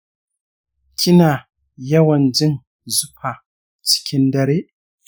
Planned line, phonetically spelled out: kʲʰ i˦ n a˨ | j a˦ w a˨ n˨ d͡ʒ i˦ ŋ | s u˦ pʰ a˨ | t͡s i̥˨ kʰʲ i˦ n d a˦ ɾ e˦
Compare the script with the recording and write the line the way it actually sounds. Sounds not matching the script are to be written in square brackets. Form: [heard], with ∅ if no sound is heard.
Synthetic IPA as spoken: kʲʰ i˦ n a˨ | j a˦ w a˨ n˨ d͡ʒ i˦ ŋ | [z] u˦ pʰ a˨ | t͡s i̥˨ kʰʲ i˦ n d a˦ ɾ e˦

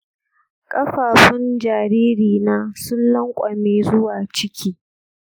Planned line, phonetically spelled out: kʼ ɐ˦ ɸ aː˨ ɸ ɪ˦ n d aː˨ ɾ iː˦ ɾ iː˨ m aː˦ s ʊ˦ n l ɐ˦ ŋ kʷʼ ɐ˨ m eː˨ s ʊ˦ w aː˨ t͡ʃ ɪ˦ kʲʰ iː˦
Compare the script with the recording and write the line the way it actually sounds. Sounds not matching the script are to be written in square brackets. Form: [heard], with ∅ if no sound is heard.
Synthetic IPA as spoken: kʼ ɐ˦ ɸ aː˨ ɸ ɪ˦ n [d͡ʒ] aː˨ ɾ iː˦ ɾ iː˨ [n] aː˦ s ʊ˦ n l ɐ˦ ŋ kʷʼ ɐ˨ m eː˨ [z] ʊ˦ w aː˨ t͡ʃ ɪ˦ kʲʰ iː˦

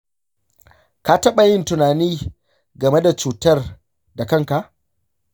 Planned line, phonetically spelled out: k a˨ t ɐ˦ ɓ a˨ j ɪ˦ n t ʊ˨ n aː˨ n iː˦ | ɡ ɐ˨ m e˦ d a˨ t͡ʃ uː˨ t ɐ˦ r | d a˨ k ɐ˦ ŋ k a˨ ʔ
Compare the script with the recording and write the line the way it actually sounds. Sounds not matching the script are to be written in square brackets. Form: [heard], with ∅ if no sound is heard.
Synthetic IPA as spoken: k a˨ t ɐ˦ ɓ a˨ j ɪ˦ n t ʊ˨ n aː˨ n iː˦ | ɡ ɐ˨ m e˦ d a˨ t͡ʃ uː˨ t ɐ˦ r | d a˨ k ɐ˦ ŋ k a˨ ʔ

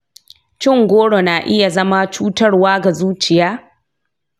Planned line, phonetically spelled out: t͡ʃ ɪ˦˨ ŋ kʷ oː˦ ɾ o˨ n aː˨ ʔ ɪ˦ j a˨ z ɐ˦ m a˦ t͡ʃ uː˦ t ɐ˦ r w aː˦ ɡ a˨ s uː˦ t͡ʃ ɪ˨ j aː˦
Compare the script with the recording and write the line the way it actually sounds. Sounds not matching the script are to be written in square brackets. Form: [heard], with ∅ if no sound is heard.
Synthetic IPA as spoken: t͡ʃ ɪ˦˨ ŋ [ɡʷ] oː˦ [ɽ] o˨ n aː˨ ʔ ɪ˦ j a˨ z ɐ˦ m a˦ t͡ʃ uː˦ t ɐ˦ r w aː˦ ɡ a˨ [z] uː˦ t͡ʃ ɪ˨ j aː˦

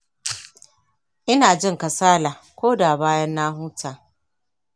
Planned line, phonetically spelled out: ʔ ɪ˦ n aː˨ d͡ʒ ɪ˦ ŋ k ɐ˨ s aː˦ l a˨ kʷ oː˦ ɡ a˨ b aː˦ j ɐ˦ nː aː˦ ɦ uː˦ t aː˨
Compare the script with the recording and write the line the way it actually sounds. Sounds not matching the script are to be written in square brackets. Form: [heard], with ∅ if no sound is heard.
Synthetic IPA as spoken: ʔ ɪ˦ n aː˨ d͡ʒ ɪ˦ ŋ k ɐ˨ s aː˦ l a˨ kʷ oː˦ [d] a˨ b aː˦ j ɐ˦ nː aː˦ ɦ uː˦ t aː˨

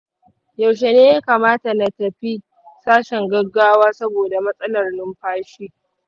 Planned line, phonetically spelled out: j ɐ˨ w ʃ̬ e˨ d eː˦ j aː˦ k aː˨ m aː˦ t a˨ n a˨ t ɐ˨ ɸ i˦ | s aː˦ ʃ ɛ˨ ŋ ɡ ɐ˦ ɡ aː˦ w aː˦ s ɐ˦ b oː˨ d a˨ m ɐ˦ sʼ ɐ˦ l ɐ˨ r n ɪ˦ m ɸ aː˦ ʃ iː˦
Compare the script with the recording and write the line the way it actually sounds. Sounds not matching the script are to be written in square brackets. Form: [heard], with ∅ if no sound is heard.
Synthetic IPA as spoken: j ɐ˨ w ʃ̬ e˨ [n] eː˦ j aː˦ k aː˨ m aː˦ t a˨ n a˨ t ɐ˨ ɸ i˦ | s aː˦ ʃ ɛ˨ ŋ ɡ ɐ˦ ɡ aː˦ w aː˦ s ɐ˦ b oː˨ d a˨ m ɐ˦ sʼ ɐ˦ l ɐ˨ r n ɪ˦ m ɸ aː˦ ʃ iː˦

